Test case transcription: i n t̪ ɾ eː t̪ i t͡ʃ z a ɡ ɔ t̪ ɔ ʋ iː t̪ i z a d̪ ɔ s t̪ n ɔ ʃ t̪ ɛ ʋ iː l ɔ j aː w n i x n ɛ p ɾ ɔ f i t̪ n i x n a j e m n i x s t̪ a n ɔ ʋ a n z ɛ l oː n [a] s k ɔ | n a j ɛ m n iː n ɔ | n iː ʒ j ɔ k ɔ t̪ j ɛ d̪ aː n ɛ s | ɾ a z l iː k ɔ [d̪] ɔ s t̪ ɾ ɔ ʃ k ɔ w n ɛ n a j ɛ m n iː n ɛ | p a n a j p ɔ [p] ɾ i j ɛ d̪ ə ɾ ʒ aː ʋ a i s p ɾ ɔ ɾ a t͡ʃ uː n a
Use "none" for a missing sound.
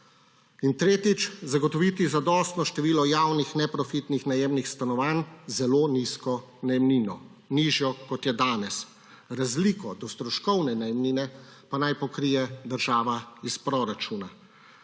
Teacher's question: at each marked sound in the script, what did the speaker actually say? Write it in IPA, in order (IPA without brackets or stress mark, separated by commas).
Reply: i, d̪, k